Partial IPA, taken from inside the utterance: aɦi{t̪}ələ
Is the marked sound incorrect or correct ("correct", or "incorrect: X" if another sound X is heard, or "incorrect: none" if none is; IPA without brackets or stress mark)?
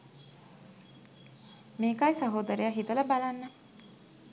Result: correct